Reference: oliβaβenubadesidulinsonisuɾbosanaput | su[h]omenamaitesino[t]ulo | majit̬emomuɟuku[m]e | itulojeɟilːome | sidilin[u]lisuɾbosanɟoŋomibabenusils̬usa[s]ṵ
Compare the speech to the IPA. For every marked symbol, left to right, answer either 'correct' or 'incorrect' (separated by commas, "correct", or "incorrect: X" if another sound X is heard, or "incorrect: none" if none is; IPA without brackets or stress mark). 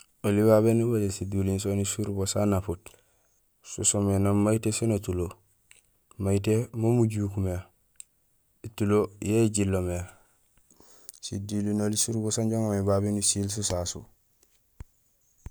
incorrect: s, correct, correct, incorrect: o, correct